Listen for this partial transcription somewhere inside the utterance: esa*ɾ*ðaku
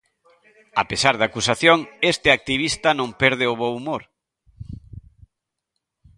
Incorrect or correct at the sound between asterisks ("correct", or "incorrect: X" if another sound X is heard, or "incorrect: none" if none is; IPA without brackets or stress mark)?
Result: correct